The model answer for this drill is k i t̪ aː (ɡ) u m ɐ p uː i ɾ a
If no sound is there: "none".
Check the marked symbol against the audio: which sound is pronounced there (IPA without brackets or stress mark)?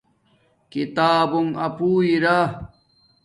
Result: b